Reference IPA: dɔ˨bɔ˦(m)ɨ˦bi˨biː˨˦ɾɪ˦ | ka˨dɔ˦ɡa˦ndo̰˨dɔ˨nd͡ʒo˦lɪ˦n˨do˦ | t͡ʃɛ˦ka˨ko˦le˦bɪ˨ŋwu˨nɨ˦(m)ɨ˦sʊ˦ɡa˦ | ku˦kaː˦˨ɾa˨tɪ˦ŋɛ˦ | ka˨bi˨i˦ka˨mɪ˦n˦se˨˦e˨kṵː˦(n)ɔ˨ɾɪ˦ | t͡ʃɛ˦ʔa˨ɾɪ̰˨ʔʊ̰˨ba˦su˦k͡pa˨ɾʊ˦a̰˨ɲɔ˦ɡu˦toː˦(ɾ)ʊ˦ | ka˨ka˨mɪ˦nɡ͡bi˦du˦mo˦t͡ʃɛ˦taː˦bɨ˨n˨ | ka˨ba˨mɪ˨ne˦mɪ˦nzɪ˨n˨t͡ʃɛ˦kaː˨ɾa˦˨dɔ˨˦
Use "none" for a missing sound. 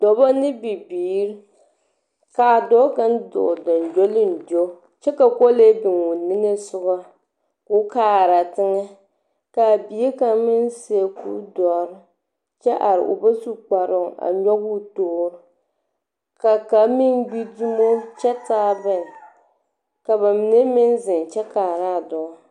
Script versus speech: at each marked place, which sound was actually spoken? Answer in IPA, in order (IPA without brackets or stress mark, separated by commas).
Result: n, ŋ, d, ɾ